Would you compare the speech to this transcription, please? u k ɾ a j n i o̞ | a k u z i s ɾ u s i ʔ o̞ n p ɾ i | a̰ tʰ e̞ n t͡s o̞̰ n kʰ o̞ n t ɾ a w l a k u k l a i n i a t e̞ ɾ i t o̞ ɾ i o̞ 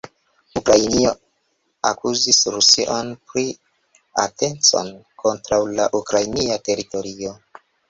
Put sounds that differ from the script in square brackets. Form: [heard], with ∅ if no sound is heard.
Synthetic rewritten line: u k ɾ a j n i o̞ | a k u z i s ɾ u s i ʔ o̞ n p ɾ i | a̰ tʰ e̞ n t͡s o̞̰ n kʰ o̞ n t ɾ a w l a [ʔ] u k [ɾ] a [j] n i a t e̞ ɾ i t o̞ ɾ i o̞